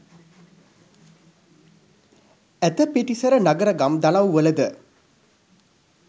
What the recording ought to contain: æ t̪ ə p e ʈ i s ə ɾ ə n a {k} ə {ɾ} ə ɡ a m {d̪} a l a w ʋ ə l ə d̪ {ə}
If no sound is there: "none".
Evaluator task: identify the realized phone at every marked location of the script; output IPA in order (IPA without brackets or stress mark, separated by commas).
ɡ, ɾ, d̪, ə